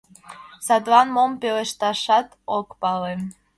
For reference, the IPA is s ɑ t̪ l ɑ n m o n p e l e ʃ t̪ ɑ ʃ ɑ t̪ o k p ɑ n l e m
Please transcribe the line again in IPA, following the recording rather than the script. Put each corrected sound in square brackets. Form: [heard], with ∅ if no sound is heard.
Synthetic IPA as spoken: s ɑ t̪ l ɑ n m o [m] p e l e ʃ t̪ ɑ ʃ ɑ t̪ o k p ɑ [∅] l e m